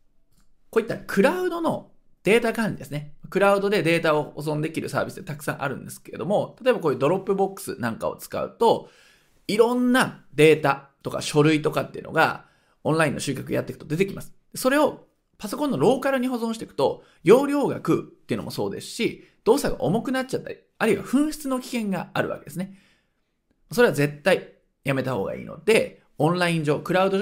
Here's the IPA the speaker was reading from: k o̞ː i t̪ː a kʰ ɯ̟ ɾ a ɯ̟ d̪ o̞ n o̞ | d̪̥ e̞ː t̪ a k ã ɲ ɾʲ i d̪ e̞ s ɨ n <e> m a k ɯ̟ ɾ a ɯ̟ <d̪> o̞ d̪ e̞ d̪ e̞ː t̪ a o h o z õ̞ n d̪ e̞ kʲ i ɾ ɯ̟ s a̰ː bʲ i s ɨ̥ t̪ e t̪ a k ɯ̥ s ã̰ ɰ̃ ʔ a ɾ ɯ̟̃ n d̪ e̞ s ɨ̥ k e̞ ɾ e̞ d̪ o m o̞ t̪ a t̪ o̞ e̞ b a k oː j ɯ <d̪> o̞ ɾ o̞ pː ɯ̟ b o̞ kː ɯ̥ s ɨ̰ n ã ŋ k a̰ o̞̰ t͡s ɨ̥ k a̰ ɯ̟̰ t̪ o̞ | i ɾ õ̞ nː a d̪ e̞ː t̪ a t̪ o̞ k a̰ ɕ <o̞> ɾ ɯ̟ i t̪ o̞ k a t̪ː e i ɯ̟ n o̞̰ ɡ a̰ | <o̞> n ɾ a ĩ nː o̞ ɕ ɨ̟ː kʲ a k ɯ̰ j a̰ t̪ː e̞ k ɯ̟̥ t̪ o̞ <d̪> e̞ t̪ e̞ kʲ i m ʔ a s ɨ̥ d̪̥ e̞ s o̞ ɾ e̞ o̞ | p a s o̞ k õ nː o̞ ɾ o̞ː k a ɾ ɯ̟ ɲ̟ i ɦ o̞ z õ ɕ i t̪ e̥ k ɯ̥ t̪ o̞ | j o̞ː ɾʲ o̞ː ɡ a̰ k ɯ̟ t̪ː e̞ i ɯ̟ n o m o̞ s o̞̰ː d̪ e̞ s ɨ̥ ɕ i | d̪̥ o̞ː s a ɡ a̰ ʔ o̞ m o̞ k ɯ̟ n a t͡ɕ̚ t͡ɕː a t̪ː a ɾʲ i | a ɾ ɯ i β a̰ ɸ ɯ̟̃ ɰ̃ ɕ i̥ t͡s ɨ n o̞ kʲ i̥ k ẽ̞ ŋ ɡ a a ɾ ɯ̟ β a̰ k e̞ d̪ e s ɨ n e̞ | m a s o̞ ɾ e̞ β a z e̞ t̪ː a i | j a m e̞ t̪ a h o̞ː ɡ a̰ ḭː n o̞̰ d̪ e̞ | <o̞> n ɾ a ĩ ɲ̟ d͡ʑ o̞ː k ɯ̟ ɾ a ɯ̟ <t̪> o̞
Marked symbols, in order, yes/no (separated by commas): yes, yes, yes, yes, no, yes, no, no